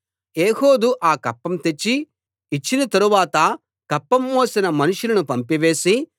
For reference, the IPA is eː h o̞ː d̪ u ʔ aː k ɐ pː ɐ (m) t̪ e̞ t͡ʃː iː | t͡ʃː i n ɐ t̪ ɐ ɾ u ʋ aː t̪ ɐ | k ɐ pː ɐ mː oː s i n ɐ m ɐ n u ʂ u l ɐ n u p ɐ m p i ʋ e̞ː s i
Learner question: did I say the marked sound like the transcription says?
yes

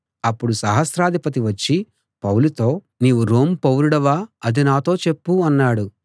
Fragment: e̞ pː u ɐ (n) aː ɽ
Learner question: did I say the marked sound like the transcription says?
no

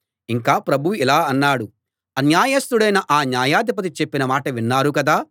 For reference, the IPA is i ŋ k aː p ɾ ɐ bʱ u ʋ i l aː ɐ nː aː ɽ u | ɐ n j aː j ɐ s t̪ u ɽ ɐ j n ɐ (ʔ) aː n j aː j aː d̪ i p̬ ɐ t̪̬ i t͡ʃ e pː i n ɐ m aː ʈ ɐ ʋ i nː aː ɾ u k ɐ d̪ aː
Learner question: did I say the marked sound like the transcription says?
yes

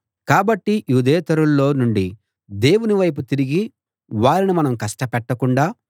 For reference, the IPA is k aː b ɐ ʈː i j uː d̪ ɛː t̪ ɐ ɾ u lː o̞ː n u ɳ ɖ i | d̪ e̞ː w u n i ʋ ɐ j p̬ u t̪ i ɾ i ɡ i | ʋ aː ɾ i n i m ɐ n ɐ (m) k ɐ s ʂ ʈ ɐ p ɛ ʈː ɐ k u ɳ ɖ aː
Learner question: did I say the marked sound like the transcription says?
yes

